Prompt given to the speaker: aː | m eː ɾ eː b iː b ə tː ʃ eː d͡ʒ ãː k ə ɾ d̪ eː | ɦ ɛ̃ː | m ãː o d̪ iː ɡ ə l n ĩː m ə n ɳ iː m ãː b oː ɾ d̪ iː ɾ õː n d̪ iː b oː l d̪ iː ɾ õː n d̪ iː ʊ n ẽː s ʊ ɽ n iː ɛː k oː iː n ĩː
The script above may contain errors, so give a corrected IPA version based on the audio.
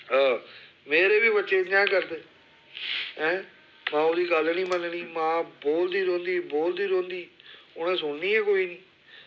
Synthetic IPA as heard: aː | m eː ɾ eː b iː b ə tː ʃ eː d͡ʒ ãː k ə ɾ d̪ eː | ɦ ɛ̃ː | m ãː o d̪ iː ɡ ə l n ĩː m ə n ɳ iː m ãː b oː l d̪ iː ɾ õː n d̪ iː b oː l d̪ iː ɾ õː n d̪ iː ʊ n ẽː s ʊ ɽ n iː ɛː k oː iː n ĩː